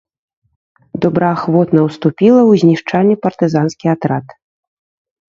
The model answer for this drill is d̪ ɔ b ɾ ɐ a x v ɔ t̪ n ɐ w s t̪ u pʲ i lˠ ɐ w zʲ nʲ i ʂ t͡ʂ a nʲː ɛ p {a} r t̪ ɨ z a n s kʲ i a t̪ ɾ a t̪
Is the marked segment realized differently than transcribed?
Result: yes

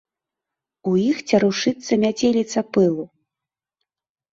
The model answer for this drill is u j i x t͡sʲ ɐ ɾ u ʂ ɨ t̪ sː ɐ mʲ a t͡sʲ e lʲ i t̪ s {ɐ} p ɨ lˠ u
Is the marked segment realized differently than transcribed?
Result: no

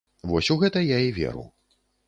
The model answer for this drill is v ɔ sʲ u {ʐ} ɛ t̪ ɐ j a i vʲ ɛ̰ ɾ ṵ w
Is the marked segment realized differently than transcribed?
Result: yes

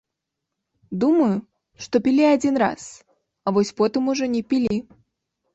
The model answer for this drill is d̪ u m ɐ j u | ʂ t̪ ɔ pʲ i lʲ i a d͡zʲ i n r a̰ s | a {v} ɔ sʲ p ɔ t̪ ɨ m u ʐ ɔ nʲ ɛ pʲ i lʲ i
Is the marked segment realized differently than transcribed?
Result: no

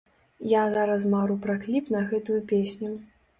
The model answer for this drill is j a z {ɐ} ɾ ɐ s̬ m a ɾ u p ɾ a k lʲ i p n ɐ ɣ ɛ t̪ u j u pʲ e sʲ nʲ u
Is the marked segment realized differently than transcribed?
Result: yes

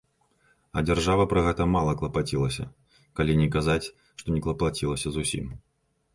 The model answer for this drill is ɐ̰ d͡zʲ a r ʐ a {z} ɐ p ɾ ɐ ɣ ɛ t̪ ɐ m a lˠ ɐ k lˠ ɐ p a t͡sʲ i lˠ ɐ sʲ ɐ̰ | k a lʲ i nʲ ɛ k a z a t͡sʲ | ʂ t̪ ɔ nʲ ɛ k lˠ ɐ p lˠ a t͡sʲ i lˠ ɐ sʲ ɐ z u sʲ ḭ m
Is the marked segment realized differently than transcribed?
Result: yes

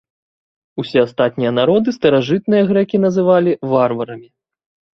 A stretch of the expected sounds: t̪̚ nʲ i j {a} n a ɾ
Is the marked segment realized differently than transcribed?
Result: yes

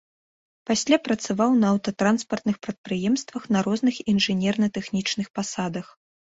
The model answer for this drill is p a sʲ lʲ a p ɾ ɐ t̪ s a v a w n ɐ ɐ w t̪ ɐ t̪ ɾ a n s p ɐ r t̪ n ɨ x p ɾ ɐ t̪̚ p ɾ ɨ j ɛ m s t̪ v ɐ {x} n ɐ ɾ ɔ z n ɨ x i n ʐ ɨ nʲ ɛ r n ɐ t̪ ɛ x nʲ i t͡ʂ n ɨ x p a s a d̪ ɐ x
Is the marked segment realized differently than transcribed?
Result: no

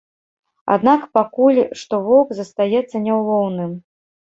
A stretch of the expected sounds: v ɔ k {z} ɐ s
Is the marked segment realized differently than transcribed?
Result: no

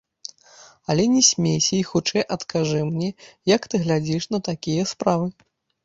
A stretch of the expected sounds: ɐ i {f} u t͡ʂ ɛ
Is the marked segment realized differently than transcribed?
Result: yes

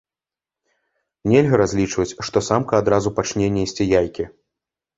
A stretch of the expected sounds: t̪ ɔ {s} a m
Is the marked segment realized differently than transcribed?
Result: no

